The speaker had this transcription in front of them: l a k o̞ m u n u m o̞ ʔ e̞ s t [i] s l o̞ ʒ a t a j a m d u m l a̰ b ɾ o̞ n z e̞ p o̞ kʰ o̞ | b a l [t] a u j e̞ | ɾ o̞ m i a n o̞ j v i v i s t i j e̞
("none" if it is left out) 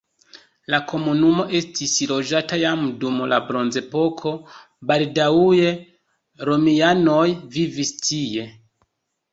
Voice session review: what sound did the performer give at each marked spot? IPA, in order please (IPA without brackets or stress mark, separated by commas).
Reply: i, d